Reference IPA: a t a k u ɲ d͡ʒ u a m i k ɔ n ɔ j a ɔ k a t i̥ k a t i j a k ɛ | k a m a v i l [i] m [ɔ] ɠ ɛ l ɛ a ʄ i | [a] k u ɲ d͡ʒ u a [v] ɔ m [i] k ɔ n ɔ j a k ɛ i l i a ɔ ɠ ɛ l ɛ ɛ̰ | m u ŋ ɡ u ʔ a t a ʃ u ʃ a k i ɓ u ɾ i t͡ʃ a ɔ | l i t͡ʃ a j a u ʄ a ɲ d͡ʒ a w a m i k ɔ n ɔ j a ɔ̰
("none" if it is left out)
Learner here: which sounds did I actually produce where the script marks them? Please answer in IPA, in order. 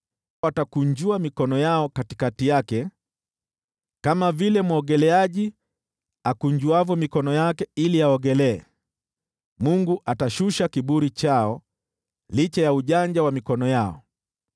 ɛ, ɔ, a, v, i

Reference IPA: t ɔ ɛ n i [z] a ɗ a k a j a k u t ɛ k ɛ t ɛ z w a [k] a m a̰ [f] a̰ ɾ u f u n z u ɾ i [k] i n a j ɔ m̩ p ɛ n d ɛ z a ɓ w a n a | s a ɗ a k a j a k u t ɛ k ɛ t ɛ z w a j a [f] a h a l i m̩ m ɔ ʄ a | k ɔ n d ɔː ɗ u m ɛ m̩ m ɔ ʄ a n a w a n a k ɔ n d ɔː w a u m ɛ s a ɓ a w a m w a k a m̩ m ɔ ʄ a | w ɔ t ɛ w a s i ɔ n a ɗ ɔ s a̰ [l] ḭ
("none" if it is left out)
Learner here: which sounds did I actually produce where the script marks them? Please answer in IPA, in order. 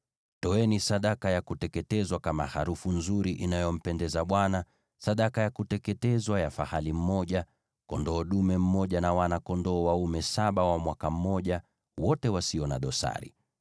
s, k, h, ʔ, f, ɾ

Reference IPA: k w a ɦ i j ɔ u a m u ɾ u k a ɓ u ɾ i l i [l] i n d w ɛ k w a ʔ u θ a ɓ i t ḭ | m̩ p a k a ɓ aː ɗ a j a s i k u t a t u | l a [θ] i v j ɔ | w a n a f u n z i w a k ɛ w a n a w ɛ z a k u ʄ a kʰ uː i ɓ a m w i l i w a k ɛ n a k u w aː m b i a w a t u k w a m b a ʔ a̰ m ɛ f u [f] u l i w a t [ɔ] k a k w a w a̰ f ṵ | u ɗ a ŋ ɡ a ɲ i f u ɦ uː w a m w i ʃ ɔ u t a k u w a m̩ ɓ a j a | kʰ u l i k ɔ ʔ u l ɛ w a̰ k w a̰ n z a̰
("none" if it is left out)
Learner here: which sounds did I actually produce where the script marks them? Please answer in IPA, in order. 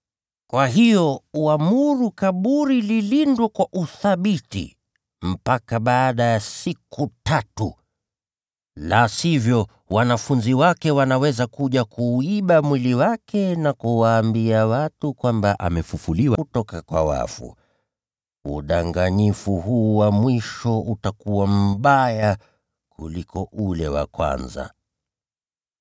l, s, f, ɔ

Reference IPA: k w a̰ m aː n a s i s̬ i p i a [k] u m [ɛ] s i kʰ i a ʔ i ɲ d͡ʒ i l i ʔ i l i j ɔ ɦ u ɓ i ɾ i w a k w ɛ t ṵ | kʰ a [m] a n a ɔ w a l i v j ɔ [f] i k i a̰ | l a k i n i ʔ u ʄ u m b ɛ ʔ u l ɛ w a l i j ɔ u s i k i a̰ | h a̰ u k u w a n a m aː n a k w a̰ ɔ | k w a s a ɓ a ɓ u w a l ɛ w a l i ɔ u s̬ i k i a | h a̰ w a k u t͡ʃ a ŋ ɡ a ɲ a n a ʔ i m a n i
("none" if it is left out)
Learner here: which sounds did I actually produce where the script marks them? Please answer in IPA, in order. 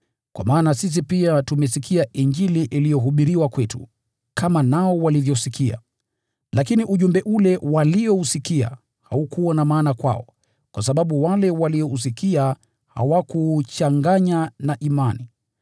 t, ɛ, m, s

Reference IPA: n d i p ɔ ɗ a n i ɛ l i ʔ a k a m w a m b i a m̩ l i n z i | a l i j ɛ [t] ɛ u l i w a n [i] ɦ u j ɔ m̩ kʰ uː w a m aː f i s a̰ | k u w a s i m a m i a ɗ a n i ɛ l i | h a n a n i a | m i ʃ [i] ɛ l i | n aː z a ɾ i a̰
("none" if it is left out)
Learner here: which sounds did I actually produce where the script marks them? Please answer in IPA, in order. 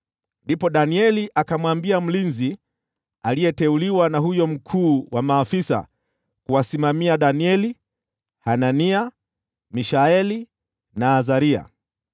t, a, a

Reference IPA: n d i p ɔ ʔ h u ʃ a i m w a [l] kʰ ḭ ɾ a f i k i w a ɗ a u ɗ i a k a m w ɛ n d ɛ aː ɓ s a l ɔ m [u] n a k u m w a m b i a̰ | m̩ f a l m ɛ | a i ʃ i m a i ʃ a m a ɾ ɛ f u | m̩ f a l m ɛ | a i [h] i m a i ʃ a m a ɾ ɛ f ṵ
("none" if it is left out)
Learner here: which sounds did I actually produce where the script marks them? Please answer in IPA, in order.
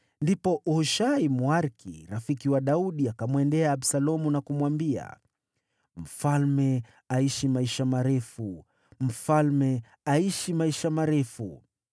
ɾ, u, ʃ

